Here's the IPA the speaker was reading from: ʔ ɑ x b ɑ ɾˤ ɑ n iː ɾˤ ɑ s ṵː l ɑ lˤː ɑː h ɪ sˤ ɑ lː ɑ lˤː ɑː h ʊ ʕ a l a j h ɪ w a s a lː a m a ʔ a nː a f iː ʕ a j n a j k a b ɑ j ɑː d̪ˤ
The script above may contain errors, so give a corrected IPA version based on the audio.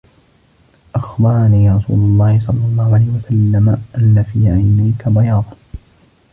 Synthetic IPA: ʔ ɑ x b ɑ ɾˤ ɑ n iː ɾˤ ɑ s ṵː l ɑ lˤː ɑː h ɪ sˤ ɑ lː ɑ lˤː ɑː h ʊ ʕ a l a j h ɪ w a s a lː a m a ʔ a nː a f iː ʕ a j n a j k a b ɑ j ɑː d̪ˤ

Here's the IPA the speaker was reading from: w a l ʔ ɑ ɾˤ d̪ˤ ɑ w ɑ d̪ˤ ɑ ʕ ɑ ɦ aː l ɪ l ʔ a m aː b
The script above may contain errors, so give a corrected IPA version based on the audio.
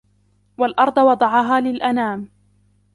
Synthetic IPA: w a l ʔ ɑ ɾˤ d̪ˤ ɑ w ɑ d̪ˤ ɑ ʕ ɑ ɦ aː l ɪ l ʔ a n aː m

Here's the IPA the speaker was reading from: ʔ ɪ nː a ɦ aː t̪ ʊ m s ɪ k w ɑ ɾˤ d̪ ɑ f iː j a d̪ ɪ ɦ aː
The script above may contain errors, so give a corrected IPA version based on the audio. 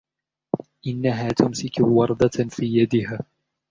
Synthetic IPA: ʔ ɪ nː a ɦ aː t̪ ʊ m s ɪ k w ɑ ɾˤ d̪ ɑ f iː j a d̪ ɪ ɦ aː

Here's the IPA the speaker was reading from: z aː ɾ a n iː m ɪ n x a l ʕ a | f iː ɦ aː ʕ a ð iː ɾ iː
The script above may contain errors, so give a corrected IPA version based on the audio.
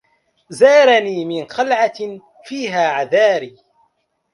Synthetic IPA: z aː ɾ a n iː m ɪ n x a l ʕ a | f iː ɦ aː ʕ a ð aː ɾ iː

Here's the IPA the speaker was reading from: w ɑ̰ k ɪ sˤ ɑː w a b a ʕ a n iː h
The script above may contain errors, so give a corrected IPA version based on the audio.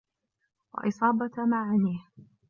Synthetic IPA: w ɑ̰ ʔ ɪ sˤ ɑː b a m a ʕ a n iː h

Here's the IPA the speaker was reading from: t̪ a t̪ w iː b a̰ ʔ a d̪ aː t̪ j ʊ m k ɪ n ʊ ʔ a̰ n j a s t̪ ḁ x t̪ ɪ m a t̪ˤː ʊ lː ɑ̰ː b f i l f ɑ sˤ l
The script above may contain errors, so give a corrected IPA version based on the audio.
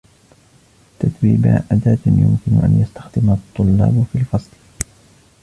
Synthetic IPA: t̪ a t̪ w iː b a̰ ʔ a d̪ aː t̪ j ʊ m k ɪ n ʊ ʔ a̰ n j a s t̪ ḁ x d̪ ɪ m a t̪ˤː ʊ lː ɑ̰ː b f i l f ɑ sˤ l

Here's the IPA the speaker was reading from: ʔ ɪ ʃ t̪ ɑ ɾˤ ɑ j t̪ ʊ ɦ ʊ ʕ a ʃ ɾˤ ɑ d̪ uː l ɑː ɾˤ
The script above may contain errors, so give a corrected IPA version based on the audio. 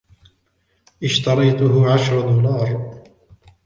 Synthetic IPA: ʔ ɪ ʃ t̪ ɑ ɾˤ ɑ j t̪ ʊ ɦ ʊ ʕ a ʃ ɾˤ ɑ d̪ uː l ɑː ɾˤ

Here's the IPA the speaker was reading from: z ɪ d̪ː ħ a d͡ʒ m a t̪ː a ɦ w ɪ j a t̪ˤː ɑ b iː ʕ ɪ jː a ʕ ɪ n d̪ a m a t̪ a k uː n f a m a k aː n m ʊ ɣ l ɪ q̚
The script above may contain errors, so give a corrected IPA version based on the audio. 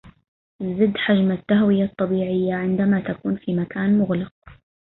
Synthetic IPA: z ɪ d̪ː ħ a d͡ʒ m a t̪ː a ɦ w ɪ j a t̪ˤː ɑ b iː ʕ ɪ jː a ʕ ɪ n d̪ a m a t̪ a k uː n f i m a k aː n m ʊ ɣ l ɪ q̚

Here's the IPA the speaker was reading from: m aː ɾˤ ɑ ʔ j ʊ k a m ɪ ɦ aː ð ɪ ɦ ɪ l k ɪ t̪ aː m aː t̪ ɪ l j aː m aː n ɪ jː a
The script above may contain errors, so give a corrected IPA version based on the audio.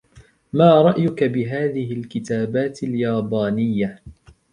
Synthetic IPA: m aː ɾˤ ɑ ʔ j ʊ k a b ɪ ɦ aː ð ɪ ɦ ɪ l k ɪ t̪ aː b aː t̪ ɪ l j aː b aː n ɪ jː a

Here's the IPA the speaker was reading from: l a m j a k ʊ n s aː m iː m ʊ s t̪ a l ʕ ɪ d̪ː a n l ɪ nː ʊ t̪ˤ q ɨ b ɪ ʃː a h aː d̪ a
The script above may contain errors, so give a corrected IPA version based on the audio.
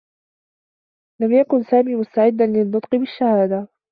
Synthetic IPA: l a m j a k ʊ n s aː m iː m ʊ s t̪ a ʕ ɪ d̪ː a n l ɪ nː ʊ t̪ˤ q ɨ b ɪ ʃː a h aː d̪ a

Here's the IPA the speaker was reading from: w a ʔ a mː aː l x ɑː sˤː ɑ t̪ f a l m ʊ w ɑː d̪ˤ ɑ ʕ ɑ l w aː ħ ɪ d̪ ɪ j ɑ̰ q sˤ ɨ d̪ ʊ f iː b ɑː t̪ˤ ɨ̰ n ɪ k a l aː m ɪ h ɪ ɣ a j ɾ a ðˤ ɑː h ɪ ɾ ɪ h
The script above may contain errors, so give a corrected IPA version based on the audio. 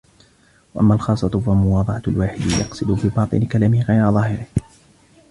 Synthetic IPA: w a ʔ a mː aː l x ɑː sˤː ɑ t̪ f a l m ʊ w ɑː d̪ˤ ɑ ʕ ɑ l w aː ħ ɪ d̪ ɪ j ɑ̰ q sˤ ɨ d̪ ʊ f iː b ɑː t̪ˤ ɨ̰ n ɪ k a l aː m ɪ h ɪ ɣ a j ɾ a ðˤ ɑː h ɪ ɾ ɪ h

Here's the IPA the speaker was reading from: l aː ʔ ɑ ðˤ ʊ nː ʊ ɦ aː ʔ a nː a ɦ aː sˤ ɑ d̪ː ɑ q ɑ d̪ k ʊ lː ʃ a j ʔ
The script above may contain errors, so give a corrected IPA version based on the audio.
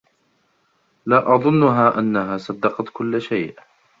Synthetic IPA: l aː ʔ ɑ ðˤ ʊ nː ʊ ɦ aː ʔ a nː a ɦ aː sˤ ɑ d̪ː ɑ q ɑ t̪ k ʊ lː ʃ a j ʔ

